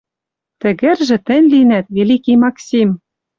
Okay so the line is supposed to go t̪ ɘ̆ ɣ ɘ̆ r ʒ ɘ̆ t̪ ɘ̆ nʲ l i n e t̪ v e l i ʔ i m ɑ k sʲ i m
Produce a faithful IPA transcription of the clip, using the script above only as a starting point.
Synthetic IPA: t̪ ɘ̆ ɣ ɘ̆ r ʒ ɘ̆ t̪ ɘ̆ nʲ l i n æ t̪ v e l i k i m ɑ k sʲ i m